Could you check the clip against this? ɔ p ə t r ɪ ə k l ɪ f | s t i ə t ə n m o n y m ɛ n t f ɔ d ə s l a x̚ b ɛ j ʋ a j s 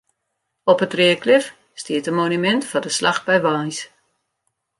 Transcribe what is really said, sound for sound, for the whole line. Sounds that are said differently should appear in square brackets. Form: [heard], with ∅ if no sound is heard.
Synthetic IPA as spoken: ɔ p ə t r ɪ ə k l ɪ f | s t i ə t ə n m o n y m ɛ n t f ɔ d ə s l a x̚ b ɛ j ʋ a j s